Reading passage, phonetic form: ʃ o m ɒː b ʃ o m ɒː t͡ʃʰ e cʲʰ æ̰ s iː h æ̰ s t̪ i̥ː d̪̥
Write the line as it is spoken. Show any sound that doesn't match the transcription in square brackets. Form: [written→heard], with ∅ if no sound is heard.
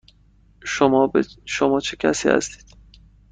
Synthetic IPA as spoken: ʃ o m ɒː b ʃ o m ɒː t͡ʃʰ e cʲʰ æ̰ s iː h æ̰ s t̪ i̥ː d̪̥